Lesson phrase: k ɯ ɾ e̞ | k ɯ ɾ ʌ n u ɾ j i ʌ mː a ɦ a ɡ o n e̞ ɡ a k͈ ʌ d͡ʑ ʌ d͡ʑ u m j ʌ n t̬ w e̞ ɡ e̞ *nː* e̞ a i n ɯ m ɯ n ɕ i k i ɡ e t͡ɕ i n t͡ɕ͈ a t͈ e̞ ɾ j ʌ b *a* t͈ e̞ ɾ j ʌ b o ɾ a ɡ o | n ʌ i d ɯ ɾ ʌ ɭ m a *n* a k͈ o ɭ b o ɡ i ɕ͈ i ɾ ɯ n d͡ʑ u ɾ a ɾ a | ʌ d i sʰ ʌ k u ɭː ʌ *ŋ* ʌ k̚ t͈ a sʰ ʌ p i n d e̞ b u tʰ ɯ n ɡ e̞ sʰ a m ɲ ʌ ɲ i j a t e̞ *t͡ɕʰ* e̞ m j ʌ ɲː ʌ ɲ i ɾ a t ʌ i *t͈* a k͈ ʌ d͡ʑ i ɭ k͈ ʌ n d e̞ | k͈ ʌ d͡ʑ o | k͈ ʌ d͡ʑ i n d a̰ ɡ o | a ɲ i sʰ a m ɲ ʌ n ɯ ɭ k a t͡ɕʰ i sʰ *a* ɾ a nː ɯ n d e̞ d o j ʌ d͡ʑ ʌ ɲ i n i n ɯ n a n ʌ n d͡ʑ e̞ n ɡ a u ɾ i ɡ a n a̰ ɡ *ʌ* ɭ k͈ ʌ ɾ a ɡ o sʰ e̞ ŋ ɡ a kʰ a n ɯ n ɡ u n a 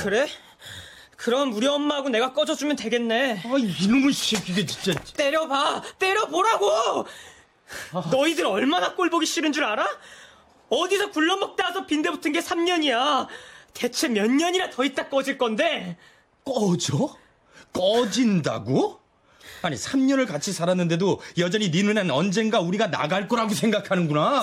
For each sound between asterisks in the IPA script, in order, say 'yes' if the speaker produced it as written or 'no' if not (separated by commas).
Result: yes, yes, yes, no, yes, yes, yes, no